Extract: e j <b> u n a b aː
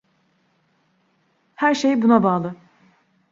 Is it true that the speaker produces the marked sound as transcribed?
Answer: yes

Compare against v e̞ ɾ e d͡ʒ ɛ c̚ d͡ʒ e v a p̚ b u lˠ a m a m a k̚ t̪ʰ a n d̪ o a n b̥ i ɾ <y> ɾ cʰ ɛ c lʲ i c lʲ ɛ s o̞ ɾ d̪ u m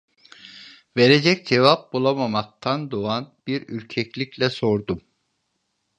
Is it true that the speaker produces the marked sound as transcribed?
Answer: yes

